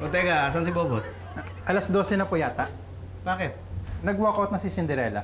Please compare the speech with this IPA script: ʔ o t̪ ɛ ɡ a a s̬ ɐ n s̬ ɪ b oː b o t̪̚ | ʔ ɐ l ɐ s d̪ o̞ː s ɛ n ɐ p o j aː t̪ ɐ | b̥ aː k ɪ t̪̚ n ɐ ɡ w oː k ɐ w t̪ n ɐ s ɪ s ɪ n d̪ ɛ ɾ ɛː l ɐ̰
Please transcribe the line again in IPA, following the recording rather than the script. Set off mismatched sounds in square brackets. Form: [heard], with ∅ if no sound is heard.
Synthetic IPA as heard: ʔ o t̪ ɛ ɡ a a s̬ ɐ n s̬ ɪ b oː b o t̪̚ | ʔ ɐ l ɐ s d̪ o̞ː s ɛ n ɐ p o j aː t̪ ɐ | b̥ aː k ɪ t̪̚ n ɐ ɡ w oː k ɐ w t̪ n ɐ s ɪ s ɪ n d̪ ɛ ɾ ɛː l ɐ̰